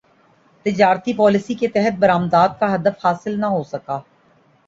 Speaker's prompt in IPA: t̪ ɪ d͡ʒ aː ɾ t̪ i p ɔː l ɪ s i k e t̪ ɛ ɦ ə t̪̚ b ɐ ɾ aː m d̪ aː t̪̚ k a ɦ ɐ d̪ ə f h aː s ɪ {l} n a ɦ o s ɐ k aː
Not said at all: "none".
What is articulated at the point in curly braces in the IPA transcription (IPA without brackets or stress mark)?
l